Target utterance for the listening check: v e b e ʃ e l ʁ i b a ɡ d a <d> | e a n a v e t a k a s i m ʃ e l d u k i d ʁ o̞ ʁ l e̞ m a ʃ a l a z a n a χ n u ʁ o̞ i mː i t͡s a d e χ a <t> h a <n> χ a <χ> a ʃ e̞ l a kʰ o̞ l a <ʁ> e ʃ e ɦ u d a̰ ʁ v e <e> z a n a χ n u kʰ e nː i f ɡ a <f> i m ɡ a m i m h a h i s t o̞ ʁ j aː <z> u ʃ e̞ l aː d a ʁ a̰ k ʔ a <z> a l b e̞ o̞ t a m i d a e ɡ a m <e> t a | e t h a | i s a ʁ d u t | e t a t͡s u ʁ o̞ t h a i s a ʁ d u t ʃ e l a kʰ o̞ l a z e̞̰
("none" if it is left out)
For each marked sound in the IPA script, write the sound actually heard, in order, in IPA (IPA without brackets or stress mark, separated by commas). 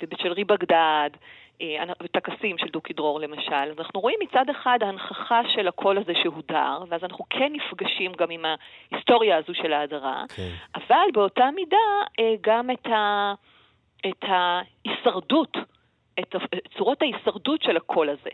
d, d, n, χ, z, a, ʃ, z, v, e